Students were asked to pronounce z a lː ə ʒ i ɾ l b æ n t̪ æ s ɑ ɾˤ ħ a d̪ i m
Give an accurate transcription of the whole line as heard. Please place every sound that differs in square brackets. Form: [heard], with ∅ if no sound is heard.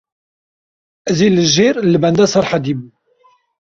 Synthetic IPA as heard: z [i] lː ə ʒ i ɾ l b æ n [d̪] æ s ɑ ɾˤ ħ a d̪ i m

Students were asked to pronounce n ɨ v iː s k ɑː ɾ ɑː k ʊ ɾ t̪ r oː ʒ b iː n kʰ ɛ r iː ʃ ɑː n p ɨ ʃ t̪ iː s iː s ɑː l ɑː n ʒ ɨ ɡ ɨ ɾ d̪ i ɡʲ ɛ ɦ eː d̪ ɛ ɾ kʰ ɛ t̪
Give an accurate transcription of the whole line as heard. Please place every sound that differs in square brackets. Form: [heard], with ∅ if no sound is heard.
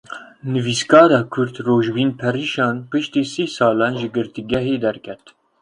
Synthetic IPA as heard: n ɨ v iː s k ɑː ɾ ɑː [kʰ] ʊ ɾ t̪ r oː ʒ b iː n [pʰ] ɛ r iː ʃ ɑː n p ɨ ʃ t̪ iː s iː s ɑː l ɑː n ʒ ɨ ɡ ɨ ɾ [t̪] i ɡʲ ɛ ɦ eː d̪ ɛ ɾ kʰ ɛ t̪

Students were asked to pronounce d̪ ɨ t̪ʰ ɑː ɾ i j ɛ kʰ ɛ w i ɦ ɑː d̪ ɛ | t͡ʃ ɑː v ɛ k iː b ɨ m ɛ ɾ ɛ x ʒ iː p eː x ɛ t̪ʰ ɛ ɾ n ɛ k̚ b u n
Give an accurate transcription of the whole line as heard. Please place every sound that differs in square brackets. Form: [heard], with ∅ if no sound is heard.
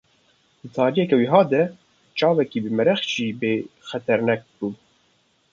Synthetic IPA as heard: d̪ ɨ t̪ʰ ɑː ɾ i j ɛ [k] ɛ w i ɦ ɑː d̪ ɛ | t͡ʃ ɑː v ɛ k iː b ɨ m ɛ ɾ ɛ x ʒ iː [b] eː x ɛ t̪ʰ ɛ ɾ n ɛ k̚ b u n

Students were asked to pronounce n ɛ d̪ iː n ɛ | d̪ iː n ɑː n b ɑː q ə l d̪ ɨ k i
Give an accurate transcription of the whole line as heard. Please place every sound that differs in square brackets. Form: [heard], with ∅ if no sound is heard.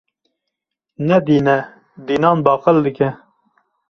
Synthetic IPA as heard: n ɛ d̪ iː n ɛ | d̪ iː n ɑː n b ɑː q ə l d̪ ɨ k [ɛ]

